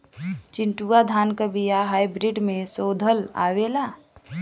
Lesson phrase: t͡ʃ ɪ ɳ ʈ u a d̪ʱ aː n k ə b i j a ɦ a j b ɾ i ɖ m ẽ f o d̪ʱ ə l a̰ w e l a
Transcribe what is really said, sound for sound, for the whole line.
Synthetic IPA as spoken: t͡ʃ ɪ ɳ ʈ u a d̪ʱ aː n k ə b i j a ɦ a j b ɾ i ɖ m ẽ s o d̪ʱ ə l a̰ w e l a